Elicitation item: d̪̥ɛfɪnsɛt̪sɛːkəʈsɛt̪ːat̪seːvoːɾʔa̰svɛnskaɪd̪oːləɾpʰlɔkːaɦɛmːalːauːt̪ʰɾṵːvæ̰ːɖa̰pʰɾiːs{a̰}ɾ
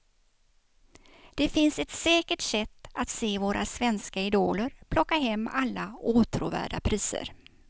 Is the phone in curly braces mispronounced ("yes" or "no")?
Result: yes